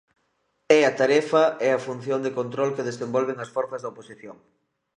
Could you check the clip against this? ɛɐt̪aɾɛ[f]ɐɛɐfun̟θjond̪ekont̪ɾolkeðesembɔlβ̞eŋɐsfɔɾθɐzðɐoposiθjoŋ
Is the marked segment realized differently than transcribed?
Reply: no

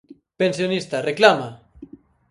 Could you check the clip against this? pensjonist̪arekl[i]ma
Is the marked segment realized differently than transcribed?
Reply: yes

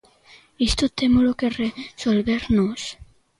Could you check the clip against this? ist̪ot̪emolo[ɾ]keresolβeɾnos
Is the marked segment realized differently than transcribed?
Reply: yes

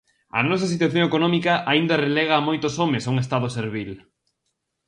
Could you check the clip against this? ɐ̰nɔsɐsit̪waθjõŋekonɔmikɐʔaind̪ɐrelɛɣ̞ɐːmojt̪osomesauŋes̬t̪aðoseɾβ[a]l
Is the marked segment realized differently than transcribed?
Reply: yes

